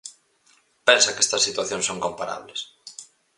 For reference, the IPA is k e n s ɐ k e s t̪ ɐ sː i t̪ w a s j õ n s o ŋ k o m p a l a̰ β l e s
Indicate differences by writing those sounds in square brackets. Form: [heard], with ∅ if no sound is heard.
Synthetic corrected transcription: [p] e n s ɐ k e s t̪ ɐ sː i t̪ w a [θ] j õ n s o ŋ k o m p a [ɾ] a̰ β l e s